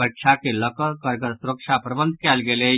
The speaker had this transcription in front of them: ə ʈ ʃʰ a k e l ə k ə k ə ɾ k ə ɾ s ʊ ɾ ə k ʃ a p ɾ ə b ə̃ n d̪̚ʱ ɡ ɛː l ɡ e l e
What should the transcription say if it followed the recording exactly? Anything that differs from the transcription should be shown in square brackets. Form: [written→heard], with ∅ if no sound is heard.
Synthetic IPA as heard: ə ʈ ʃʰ a k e l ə k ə k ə ɾ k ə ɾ s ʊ ɾ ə k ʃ a p ɾ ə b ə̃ n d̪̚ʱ [ɡ→k] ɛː l ɡ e l e